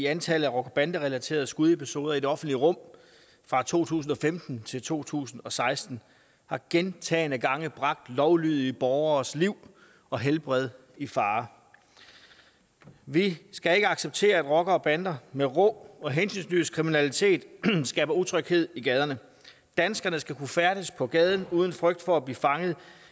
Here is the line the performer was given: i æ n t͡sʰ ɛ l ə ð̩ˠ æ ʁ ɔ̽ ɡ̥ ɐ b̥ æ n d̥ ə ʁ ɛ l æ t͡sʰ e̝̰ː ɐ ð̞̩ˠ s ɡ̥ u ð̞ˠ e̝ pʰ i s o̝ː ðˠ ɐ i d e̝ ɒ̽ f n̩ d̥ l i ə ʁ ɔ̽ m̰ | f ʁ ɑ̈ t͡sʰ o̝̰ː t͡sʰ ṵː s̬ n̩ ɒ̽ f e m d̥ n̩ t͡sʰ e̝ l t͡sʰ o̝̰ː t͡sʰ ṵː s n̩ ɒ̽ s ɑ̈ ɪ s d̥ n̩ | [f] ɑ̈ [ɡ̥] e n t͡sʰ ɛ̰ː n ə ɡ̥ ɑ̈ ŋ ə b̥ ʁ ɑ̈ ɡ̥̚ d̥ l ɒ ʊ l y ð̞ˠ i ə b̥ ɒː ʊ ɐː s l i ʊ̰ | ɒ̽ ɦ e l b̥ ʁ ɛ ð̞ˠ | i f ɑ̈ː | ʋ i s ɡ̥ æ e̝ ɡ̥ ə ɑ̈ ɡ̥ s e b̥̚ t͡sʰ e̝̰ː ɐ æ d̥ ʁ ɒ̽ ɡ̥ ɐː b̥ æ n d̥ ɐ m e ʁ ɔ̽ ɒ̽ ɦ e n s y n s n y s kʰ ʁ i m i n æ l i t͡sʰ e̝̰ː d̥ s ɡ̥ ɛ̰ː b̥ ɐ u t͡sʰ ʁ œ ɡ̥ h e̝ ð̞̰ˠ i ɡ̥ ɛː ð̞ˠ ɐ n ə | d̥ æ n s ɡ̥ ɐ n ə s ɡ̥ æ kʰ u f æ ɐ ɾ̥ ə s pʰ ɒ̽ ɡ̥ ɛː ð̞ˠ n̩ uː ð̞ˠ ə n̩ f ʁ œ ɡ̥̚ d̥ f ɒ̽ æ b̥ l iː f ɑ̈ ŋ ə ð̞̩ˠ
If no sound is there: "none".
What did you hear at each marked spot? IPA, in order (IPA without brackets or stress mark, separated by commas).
h, ɡ̥